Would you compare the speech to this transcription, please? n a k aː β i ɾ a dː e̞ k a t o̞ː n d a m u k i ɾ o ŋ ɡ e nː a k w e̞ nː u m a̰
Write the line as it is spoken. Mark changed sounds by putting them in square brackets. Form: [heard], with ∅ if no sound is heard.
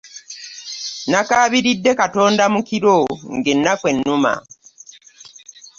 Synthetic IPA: n a k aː β i ɾ [i] dː e̞ k a t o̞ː n d a m u k i ɾ o ŋ ɡ e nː a k w e̞ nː u m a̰